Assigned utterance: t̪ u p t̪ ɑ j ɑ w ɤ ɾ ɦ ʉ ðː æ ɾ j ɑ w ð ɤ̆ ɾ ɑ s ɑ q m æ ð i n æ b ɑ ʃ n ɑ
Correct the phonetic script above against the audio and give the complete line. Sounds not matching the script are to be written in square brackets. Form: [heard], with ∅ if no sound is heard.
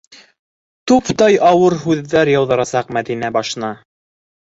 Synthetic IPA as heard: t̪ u p t̪ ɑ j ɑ w ɤ ɾ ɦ ʉ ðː æ ɾ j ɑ w ð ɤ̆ ɾ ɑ s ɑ q m æ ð i n æ b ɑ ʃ n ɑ